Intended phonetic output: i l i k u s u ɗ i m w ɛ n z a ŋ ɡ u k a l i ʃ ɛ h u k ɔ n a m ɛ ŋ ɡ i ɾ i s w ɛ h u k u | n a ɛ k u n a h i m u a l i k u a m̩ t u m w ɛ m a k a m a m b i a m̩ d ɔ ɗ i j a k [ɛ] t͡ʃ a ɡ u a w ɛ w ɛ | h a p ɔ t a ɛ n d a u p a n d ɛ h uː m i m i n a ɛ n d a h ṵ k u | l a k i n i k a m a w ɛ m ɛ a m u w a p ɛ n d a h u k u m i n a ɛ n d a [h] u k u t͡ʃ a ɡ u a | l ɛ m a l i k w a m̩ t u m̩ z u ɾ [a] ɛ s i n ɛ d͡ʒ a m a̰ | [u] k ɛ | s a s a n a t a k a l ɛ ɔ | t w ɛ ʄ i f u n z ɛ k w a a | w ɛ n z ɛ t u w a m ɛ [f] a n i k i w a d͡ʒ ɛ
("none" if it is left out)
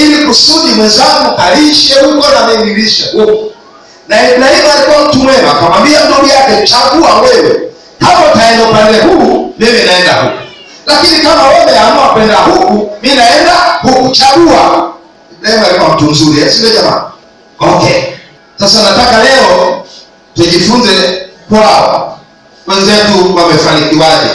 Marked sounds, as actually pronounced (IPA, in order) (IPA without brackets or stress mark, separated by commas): ɛ, h, i, ɔ, f